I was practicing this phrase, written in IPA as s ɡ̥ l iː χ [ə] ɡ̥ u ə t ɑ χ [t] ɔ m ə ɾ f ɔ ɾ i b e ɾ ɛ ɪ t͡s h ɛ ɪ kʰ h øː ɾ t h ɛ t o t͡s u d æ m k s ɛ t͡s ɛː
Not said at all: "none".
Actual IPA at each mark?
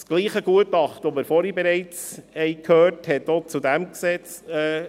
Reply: ə, t

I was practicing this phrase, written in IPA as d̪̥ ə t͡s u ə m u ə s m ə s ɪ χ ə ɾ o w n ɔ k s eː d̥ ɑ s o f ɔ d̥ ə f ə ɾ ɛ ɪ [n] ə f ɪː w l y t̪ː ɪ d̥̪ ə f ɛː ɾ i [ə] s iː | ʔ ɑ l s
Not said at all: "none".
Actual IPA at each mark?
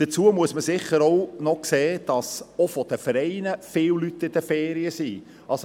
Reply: n, ə

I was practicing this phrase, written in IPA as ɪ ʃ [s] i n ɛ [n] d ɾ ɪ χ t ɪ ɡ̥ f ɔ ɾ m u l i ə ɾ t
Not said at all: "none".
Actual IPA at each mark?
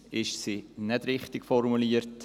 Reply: s, none

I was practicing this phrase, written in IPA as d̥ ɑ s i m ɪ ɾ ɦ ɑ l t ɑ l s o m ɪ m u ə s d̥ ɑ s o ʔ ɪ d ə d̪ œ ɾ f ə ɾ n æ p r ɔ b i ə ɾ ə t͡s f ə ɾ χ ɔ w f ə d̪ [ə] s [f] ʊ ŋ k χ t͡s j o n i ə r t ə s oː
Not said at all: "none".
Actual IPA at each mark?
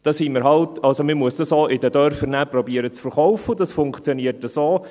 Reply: ɑ, f

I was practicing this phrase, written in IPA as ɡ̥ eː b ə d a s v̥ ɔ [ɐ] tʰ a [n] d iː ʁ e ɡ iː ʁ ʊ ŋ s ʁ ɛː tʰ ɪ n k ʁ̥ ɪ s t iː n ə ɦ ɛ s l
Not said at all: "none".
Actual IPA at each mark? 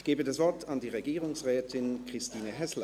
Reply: ɐ, n

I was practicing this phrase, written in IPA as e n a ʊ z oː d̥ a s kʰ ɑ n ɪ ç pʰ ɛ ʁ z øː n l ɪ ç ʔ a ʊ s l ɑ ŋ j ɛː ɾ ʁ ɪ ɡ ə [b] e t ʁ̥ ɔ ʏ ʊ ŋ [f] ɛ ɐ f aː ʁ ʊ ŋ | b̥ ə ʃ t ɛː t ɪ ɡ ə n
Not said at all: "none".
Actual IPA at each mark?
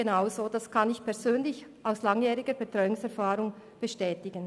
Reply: b, s

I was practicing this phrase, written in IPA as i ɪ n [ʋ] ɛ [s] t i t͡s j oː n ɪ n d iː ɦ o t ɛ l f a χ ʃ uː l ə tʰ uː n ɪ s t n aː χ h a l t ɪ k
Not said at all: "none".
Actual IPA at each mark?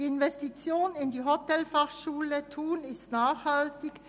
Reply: v, s

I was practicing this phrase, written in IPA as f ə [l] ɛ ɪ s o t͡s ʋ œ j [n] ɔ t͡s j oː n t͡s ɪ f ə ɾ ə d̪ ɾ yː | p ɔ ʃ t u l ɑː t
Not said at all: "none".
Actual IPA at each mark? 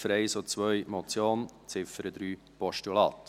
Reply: ɾ, m

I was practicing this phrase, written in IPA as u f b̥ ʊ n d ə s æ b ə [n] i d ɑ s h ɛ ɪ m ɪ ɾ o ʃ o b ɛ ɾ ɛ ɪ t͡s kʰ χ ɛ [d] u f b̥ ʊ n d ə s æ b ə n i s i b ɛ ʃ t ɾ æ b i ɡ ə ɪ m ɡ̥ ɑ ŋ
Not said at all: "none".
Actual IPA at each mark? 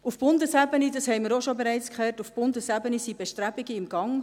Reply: n, t

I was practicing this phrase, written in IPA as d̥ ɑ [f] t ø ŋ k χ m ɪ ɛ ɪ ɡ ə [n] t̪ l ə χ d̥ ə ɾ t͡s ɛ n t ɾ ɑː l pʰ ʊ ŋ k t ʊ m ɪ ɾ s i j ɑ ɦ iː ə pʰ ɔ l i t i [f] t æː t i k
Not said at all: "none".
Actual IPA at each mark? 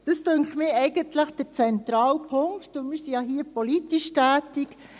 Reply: s, n, ʃ

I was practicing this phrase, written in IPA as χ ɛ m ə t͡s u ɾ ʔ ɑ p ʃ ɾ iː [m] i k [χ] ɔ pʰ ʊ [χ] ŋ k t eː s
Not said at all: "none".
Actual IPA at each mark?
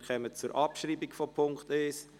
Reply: b, f, none

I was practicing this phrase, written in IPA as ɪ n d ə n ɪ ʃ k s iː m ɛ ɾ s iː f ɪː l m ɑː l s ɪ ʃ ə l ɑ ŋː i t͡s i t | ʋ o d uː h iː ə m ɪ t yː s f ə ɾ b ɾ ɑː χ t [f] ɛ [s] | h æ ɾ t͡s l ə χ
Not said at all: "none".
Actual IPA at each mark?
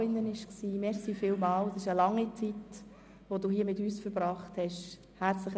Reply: h, ʃ

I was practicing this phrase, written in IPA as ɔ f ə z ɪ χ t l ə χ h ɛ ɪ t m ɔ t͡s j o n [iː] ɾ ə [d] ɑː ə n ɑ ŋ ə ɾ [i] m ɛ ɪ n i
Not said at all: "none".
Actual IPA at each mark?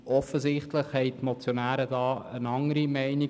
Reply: æː, d, i

